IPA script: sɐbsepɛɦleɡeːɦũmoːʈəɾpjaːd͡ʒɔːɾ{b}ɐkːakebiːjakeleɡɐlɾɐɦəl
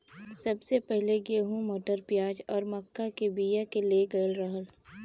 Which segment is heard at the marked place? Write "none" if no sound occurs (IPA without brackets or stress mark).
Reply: m